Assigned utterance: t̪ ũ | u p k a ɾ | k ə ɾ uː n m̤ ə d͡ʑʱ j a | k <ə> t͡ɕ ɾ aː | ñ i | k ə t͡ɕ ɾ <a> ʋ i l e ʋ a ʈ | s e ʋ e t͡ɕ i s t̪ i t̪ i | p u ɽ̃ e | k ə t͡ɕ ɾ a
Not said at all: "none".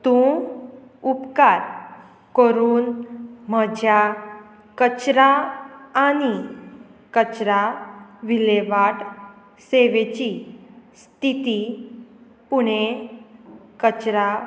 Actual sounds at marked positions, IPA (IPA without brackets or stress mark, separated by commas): ə, a